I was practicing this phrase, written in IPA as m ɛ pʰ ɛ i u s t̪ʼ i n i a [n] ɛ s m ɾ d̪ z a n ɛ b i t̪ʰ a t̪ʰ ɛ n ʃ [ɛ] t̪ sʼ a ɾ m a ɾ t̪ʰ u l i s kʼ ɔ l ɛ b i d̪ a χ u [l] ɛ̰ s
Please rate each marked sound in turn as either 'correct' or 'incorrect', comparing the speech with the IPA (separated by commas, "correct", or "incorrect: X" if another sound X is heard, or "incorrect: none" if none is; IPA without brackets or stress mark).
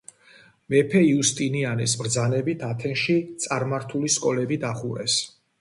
correct, incorrect: i, incorrect: ɾ